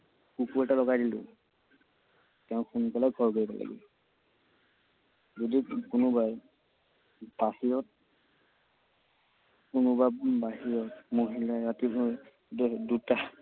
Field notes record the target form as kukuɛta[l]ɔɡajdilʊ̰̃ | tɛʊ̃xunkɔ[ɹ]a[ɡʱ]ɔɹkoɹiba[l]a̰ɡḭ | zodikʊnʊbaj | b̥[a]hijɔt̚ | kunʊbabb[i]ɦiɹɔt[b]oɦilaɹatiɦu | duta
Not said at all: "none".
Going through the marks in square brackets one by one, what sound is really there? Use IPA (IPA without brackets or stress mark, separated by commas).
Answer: l, l, ɡʱ, l, a, a, m